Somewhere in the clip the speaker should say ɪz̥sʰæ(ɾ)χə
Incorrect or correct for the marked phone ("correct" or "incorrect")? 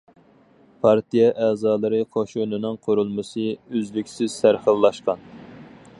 correct